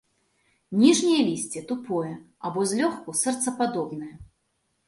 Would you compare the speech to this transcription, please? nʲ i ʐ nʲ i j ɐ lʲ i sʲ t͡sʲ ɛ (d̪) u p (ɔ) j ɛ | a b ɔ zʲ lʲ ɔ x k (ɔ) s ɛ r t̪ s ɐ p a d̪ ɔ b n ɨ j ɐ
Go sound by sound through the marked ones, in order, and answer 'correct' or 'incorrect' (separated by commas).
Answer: incorrect, correct, incorrect